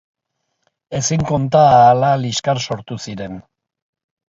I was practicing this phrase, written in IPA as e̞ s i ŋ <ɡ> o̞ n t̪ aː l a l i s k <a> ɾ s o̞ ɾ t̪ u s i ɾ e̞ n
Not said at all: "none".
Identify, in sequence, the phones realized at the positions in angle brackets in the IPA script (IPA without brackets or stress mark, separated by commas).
k, a